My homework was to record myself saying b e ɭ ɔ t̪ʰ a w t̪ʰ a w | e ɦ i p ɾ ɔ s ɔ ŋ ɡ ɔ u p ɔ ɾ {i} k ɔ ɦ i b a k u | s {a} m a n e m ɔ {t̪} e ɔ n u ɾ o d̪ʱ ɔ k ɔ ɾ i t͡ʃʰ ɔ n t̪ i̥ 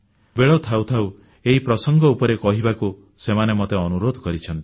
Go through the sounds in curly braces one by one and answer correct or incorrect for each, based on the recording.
incorrect: e, incorrect: e, correct

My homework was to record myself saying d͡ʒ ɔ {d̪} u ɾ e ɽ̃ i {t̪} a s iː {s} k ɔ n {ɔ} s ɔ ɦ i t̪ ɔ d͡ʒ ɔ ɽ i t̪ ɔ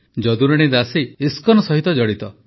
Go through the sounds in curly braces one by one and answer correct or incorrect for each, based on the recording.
correct, incorrect: d̪, correct, correct

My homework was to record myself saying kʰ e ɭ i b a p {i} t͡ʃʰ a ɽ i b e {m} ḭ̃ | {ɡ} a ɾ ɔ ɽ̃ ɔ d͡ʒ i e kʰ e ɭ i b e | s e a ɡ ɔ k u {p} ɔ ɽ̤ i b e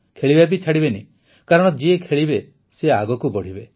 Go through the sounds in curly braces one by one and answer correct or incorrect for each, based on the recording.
correct, incorrect: n, incorrect: k, incorrect: b

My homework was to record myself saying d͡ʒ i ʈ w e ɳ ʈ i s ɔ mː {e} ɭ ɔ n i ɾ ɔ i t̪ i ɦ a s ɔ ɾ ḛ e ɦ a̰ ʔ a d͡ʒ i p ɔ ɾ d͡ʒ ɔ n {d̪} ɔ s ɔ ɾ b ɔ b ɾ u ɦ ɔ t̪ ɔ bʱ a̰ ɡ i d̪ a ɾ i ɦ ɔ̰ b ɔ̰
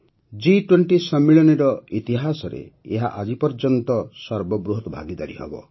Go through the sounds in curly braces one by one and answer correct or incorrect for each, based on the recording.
incorrect: i, incorrect: t̪

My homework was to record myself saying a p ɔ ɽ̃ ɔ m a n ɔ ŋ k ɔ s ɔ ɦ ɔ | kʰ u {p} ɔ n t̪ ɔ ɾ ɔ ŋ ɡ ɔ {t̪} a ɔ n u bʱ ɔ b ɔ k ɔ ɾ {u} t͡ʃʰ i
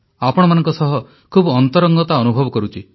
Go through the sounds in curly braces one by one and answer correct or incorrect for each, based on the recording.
incorrect: b, correct, correct

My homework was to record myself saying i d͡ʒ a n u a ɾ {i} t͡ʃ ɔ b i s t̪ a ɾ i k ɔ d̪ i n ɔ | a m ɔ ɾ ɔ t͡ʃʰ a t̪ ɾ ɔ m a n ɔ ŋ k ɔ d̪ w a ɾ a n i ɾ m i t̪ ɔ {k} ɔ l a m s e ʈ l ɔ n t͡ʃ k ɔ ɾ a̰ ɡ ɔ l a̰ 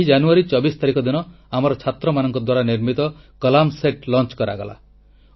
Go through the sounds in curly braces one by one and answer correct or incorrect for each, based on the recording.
correct, correct

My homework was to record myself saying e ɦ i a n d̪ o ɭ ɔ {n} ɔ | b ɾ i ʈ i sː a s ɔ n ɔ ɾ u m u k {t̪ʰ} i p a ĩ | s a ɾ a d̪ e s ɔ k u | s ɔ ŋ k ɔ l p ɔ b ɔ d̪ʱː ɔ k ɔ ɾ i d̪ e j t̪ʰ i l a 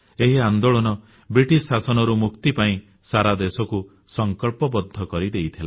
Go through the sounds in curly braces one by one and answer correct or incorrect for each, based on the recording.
correct, incorrect: t̪

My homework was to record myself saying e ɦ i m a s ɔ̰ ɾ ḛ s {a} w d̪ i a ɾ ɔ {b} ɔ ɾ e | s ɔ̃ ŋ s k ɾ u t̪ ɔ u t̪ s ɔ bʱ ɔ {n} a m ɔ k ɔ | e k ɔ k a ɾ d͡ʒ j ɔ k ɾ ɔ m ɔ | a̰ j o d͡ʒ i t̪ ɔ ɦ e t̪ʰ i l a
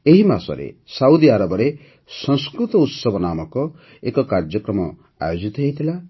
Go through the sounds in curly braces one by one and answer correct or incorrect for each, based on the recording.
correct, correct, correct

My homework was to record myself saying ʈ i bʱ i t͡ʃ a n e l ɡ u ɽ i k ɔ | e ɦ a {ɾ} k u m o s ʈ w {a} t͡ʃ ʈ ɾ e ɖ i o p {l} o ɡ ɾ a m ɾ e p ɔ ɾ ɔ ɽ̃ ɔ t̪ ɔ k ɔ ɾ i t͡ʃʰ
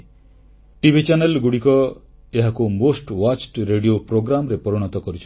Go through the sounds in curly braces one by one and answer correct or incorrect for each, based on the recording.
incorrect: none, correct, incorrect: ɾ

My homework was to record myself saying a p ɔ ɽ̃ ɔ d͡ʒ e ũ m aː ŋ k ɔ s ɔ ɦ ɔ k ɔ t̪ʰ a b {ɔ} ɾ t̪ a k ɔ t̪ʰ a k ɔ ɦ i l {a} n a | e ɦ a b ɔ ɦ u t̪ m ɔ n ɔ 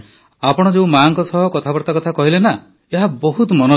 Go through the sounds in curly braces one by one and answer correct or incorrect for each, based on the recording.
correct, incorrect: e

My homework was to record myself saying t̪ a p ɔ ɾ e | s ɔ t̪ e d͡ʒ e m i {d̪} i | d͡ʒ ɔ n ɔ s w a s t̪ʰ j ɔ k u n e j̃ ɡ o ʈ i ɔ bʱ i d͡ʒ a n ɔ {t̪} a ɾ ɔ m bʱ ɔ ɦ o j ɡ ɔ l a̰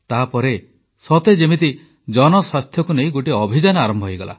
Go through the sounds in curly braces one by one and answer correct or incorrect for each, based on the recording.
incorrect: t̪, incorrect: none

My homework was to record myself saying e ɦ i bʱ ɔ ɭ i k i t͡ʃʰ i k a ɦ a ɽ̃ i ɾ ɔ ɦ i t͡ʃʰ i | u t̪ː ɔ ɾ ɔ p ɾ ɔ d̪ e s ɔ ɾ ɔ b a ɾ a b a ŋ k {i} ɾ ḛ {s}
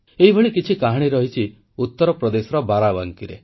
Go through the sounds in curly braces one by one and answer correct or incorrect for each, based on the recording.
correct, incorrect: none

